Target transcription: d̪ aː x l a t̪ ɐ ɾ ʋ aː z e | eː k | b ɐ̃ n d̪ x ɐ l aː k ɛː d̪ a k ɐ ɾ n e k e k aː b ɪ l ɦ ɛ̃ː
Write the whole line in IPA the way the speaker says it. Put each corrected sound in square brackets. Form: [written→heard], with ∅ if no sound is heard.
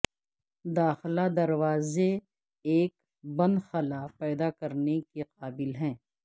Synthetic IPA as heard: d̪ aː x l a [t̪→d̪] ɐ ɾ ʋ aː z e | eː k | b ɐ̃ n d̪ x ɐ l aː [k→p] ɛː d̪ a k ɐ ɾ n e k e [k→q] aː b ɪ l ɦ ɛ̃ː